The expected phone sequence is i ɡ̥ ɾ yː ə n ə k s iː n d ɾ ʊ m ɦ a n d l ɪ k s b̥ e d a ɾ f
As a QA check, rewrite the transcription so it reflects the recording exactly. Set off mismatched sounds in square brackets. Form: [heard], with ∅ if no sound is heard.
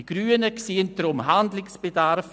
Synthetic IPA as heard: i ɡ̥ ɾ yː ə n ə k s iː n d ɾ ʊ m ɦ a n d l ɪ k s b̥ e d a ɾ f

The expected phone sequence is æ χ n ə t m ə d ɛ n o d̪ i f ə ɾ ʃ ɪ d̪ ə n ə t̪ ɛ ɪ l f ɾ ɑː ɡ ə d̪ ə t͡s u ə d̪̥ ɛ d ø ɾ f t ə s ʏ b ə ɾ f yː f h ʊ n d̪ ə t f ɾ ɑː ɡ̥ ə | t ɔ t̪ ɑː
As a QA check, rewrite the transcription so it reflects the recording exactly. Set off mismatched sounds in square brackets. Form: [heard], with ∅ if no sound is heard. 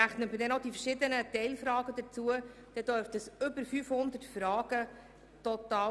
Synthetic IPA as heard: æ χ n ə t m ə d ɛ n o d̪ i f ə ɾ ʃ ɪ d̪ ə n ə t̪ ɛ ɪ l f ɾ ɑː ɡ ə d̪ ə t͡s u ə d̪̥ ɛ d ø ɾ f t ə s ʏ b ə ɾ f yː f h ʊ n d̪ ə t f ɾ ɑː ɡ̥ ə | t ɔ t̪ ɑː

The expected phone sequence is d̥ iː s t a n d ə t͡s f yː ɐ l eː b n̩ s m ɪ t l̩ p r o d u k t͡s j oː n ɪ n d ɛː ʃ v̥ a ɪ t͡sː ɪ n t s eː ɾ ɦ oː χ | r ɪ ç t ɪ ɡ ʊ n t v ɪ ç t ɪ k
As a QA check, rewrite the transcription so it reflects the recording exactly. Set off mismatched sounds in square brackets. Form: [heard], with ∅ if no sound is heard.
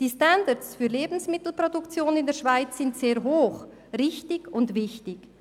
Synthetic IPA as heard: d̥ iː s t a n d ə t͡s f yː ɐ l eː b n̩ s m ɪ t l̩ p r o d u k t͡s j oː n ɪ n d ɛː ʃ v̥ a ɪ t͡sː ɪ n t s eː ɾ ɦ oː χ | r ɪ ç t ɪ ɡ ʊ n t v ɪ ç t ɪ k

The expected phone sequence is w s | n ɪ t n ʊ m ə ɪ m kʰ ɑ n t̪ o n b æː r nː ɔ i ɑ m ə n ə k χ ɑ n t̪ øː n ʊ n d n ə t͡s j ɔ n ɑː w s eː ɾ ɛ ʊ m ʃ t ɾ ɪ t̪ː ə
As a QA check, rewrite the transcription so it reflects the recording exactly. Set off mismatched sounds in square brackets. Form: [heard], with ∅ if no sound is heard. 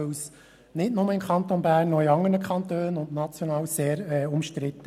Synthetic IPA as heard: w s | n ɪ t n ʊ m ə ɪ m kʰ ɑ n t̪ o n b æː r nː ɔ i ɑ [ŋ] ə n ə k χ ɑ n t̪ øː n ʊ n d n [ɑ] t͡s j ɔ n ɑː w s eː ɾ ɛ ʊ m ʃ t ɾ ɪ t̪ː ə

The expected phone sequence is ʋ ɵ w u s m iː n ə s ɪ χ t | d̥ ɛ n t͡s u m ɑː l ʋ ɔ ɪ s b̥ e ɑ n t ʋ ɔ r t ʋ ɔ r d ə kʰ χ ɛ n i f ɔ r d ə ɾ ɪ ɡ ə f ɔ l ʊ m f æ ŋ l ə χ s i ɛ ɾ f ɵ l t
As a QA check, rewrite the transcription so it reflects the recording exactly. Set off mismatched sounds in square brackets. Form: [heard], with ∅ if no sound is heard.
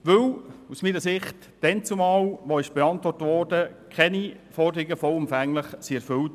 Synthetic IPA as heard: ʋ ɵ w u s m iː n ə s ɪ χ t | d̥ ɛ n t͡s u m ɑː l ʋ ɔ ɪ [ʃ] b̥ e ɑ n t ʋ ɔ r t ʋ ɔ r d ə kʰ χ ɛ n i f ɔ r d ə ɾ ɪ ɡ ə f ɔ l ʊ m f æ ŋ l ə χ s i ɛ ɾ f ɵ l t

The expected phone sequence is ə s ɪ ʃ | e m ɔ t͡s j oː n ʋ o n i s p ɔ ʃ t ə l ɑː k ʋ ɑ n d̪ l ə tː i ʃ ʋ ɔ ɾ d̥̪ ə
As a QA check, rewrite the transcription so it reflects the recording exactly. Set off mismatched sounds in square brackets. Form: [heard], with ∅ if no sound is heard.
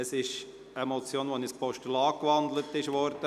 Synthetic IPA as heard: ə s ɪ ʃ | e m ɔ t͡s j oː n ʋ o n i s p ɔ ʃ t ə l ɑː k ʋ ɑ n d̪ l ə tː [ɪ] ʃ ʋ ɔ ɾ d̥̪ ə

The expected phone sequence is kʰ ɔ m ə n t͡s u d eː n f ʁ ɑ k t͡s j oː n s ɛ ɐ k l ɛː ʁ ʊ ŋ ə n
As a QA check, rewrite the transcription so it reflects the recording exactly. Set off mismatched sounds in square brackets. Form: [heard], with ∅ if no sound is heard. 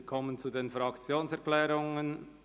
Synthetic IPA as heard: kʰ ɔ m ə n t͡s u d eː n f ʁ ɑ k t͡s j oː n s ɛ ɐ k l ɛː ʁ ʊ ŋ ə n

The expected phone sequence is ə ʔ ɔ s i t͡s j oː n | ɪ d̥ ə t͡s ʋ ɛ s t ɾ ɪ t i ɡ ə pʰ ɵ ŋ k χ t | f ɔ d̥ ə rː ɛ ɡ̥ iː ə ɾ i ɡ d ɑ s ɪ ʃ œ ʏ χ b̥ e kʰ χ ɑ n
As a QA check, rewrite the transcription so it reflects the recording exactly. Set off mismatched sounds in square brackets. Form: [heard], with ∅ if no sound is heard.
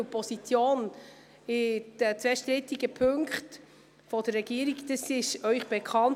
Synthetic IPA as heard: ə [p] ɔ s i t͡s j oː n | ɪ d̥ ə t͡s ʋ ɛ [ʃ] t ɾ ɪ t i ɡ ə pʰ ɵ ŋ k χ t | f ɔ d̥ ə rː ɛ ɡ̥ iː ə ɾ i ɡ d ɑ s ɪ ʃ œ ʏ χ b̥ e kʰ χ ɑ n

